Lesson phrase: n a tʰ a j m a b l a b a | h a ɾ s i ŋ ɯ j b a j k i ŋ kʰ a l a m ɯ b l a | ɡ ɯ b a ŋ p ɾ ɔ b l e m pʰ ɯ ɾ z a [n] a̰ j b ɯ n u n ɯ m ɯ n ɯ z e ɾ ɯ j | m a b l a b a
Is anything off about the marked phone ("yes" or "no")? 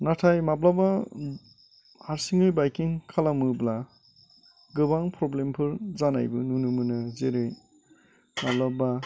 no